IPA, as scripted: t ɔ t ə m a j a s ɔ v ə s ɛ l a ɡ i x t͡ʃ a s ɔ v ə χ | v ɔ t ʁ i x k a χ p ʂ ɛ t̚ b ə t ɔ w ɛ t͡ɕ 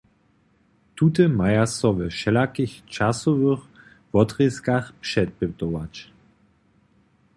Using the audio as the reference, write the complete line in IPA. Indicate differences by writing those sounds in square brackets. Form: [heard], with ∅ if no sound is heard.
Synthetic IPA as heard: t [u] t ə m a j a s ɔ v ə [ʃ] ɛ l a [k] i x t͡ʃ a s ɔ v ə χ | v ɔ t ʁ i [s] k a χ p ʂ ɛ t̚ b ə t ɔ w [a] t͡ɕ